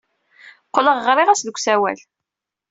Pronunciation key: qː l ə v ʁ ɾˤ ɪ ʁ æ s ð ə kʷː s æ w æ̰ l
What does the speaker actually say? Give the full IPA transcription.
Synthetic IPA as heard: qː l ə ʁ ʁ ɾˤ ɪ ʁ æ s ð ə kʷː s æ w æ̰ l

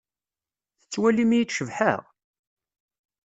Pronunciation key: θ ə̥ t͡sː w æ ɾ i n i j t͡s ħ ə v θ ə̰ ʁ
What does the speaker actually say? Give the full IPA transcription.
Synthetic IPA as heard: θ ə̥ t͡sː w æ l i m i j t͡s ʃ ə v ħ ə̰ ʁ

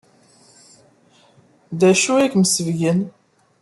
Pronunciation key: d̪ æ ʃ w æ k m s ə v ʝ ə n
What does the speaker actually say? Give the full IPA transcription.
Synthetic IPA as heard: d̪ æ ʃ u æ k m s ə v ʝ ə n

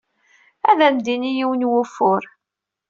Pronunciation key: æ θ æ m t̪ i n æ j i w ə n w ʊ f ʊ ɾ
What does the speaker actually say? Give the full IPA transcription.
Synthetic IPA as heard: æ ð æ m d̪ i n i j i w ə n w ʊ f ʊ ɾ

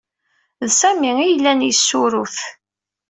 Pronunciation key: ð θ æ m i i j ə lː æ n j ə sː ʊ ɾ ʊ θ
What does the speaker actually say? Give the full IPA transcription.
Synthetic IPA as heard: ð s æ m i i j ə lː æ n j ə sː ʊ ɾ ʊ θ

